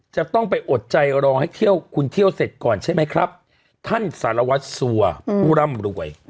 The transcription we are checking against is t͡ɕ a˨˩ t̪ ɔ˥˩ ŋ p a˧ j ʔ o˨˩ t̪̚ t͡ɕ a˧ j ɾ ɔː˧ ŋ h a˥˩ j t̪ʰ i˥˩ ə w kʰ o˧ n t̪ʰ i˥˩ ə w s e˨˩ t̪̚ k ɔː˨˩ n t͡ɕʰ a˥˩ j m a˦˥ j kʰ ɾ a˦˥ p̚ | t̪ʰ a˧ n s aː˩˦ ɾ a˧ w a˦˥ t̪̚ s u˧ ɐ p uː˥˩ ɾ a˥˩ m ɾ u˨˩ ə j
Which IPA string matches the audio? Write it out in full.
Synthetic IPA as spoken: t͡ɕ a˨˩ t̪ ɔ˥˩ ŋ p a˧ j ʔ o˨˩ t̪̚ t͡ɕ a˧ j ɾ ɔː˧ ŋ h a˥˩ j t̪ʰ i˥˩ ə w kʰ u˧ n t̪ʰ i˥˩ ə w s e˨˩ t̪̚ k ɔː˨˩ n t͡ɕʰ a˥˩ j m a˦˥ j kʰ ɾ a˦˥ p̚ | t̪ʰ a˥˩ n s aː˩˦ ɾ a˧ w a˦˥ t̪̚ s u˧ ɐ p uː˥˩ ɾ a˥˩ m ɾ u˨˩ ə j